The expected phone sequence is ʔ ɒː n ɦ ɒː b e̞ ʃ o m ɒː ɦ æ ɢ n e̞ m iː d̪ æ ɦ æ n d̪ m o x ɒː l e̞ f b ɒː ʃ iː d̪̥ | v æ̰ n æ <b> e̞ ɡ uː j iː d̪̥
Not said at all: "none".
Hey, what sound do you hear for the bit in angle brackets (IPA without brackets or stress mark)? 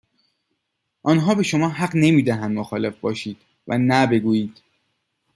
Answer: b